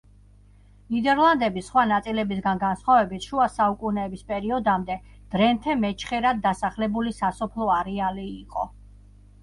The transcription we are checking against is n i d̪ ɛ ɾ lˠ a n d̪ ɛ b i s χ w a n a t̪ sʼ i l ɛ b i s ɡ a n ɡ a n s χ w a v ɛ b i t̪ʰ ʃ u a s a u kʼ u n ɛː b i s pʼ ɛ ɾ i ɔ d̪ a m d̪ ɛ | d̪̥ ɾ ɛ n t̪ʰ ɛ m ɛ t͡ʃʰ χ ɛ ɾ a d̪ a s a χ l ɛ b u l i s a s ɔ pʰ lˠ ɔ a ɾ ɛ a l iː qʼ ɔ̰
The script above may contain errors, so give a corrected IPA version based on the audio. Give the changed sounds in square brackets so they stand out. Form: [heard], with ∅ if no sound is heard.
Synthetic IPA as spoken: n i d̪ ɛ ɾ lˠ a n d̪ ɛ b i s χ w a n a t̪ sʼ i l ɛ b i s ɡ a n ɡ a n s χ w a v ɛ b i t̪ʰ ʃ u a s a u kʼ u n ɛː b i s pʼ ɛ ɾ i ɔ d̪ a m d̪ ɛ | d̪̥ ɾ ɛ n t̪ʰ ɛ m ɛ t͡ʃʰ χ ɛ ɾ a [d̪ː] a s a χ l ɛ b u l i s a s ɔ pʰ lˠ ɔ a ɾ ɛ a l iː qʼ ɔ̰